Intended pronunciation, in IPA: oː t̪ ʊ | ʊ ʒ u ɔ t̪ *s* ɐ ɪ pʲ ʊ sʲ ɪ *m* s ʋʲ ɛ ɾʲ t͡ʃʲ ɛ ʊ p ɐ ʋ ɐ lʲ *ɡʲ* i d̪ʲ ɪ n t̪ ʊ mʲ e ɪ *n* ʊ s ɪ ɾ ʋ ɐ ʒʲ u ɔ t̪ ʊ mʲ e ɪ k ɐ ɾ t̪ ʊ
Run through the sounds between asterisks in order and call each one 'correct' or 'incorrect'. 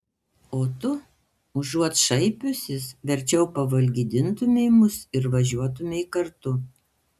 incorrect, incorrect, correct, incorrect

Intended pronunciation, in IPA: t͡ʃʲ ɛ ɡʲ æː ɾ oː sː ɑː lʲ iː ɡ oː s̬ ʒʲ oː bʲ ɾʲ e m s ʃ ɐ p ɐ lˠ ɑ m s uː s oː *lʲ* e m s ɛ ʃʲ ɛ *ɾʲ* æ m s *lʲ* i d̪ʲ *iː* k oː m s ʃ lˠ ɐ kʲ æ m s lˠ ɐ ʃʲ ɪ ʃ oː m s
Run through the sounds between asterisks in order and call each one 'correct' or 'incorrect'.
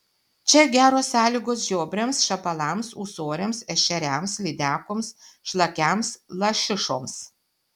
incorrect, correct, correct, incorrect

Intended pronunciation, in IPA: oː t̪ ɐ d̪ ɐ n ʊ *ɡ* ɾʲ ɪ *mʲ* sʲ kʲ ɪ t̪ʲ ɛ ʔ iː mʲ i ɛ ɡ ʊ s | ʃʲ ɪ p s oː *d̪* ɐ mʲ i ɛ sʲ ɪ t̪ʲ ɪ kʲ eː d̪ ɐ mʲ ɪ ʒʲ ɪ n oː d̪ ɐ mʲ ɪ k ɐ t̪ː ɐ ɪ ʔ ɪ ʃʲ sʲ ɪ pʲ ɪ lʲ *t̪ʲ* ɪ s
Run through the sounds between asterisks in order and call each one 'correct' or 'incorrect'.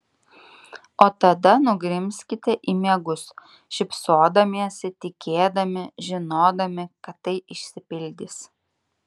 correct, correct, correct, incorrect

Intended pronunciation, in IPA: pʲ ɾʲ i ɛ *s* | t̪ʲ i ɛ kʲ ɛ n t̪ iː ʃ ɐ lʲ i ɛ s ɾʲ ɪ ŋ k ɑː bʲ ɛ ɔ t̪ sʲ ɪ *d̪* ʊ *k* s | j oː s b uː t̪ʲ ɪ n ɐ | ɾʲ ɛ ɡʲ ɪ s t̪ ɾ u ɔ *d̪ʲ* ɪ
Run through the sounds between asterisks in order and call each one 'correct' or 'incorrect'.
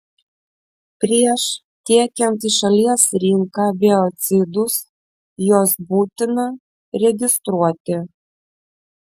incorrect, correct, incorrect, incorrect

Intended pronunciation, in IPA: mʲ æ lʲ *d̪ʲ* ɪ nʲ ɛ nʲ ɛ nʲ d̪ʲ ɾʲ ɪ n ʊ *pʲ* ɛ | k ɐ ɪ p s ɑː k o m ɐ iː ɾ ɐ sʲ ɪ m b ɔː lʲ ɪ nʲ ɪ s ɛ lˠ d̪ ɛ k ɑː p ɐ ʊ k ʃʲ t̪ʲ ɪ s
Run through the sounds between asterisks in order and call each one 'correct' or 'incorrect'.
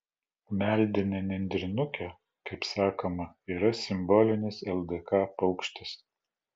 correct, incorrect

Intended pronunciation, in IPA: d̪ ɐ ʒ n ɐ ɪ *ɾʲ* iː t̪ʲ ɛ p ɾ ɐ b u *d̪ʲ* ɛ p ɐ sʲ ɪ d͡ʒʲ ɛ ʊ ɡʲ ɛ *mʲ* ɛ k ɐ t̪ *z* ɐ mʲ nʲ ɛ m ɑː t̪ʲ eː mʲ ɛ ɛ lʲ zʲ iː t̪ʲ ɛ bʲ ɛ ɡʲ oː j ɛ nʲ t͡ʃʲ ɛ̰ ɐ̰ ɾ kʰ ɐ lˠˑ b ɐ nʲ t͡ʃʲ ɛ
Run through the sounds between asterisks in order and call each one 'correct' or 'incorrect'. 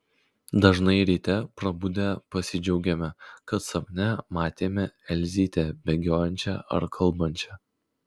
correct, correct, correct, incorrect

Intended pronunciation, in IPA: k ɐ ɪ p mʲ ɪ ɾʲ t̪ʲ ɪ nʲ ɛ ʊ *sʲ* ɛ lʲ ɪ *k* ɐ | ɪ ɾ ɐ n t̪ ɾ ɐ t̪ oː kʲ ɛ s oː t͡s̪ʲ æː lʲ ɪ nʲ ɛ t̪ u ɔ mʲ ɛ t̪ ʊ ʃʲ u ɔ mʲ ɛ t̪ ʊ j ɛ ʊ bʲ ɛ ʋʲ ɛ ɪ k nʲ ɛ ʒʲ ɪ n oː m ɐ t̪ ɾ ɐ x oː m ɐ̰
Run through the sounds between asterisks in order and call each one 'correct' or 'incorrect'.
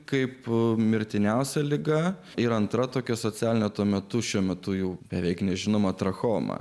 correct, incorrect

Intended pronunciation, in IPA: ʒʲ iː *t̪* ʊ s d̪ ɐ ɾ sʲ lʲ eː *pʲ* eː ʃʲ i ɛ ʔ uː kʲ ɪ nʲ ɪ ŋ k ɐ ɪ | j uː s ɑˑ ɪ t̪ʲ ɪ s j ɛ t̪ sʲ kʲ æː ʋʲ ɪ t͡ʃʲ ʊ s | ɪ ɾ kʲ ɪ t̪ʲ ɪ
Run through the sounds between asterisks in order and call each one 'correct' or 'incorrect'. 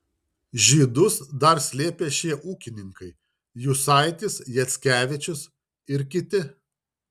incorrect, correct

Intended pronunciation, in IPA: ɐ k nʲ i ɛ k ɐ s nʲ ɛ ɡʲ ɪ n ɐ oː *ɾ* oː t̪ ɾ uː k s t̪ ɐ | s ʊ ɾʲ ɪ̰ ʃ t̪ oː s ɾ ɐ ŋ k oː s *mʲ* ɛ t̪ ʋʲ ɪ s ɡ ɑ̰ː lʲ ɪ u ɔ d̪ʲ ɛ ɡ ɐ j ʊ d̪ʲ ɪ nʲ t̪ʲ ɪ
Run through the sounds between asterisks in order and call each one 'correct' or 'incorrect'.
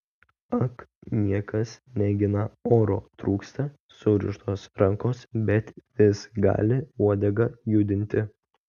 correct, incorrect

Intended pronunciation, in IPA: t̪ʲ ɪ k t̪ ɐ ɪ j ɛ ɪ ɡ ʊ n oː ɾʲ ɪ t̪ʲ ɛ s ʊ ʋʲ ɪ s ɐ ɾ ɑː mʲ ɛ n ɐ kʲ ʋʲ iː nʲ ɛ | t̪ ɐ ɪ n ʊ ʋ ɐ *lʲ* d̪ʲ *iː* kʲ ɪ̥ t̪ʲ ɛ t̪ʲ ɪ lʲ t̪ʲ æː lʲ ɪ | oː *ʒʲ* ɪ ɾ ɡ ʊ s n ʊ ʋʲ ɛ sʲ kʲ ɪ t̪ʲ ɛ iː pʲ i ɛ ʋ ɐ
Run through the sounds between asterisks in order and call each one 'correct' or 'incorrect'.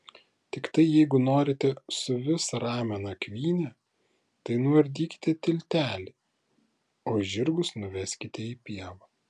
incorrect, correct, correct

